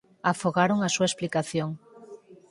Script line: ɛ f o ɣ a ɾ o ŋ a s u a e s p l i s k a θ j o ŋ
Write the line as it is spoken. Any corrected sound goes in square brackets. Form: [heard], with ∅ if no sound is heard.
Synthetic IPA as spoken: [a] f o ɣ a ɾ o ŋ a s u a e s p l i [∅] k a θ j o ŋ